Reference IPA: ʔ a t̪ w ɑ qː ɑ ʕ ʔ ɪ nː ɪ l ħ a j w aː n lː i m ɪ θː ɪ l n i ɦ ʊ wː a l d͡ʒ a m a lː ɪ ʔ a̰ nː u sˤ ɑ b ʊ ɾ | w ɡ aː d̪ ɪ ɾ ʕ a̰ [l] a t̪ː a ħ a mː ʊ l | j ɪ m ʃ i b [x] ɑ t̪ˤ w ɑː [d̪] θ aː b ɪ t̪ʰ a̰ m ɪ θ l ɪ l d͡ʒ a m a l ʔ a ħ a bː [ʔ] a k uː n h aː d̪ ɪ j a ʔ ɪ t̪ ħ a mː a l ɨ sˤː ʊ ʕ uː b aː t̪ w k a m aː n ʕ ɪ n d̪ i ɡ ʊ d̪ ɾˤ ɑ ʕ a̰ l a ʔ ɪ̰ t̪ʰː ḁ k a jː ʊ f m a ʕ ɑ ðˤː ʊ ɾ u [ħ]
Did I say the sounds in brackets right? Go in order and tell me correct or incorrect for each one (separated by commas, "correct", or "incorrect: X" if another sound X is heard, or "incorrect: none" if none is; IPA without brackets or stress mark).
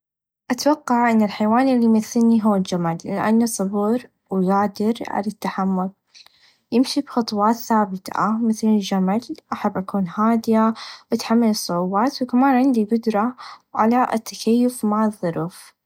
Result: correct, correct, incorrect: t̪, correct, incorrect: f